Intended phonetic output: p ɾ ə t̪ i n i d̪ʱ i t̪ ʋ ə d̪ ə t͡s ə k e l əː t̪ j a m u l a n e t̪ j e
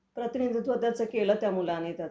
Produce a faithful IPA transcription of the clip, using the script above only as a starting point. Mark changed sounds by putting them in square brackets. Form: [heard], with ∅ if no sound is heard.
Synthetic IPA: p ɾ ə t̪ i n i d̪ʱ i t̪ ʋ ə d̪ [a] t͡s ə k e l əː t̪ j a m u l a n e t̪ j [a]